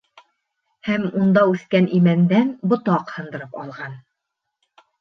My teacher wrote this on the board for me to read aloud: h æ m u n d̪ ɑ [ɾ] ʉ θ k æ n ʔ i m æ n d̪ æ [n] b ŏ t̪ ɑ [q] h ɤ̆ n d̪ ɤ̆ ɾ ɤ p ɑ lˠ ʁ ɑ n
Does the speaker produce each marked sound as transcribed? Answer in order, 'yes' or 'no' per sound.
no, yes, yes

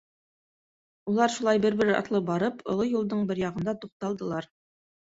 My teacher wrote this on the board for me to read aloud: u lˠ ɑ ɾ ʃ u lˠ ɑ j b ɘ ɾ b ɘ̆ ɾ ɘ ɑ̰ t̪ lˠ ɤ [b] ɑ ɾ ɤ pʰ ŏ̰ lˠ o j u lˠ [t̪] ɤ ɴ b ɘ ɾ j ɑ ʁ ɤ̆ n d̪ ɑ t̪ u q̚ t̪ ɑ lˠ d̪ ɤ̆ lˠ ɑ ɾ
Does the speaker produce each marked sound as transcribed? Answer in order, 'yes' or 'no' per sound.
yes, no

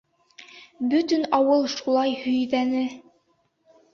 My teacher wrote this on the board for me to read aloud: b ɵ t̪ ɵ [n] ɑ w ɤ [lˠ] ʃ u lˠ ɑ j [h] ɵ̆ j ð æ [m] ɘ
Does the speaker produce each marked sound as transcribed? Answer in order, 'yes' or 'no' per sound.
yes, yes, yes, no

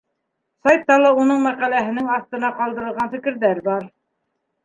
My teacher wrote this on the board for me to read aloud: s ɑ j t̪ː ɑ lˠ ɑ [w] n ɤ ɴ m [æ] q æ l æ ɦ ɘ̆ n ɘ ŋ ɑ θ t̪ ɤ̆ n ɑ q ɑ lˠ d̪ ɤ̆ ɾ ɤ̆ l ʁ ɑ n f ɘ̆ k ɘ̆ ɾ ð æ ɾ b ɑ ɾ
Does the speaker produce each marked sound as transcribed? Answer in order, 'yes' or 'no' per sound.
no, yes

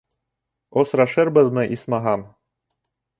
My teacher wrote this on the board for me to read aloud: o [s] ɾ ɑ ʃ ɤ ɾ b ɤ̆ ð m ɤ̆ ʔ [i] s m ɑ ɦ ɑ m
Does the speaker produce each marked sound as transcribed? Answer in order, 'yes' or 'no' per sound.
yes, yes

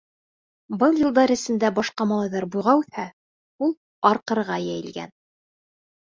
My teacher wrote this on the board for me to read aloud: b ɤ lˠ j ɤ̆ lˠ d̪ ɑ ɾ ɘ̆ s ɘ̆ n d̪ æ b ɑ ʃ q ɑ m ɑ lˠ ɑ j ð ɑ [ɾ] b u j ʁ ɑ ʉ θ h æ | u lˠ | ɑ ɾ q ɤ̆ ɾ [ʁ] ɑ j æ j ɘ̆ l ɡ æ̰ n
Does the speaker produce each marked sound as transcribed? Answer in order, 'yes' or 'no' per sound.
yes, yes

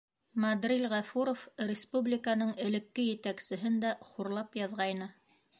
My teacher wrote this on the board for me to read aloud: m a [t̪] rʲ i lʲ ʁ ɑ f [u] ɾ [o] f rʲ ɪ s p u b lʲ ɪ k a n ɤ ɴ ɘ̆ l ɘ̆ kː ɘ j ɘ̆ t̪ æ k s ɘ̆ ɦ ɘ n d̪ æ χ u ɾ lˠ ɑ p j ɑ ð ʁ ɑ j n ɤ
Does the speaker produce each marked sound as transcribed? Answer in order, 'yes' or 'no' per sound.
no, yes, yes

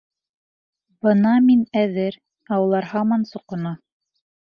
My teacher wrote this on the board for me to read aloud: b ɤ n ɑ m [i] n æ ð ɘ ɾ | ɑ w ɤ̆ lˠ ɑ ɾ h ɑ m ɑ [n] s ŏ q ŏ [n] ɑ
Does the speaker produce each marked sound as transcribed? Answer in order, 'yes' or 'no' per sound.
yes, yes, yes

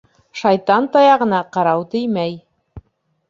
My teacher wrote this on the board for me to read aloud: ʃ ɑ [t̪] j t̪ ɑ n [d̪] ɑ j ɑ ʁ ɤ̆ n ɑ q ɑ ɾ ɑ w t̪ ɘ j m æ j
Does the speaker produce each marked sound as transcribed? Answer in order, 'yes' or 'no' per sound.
no, no

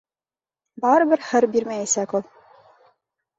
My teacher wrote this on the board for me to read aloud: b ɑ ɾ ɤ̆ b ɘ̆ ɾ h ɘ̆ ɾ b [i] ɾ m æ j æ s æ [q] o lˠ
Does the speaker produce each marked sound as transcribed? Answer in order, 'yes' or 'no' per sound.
yes, no

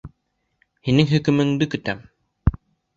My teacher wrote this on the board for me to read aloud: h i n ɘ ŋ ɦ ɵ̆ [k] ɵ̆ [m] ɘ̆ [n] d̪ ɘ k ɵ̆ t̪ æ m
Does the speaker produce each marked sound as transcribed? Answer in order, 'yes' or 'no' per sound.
yes, yes, no

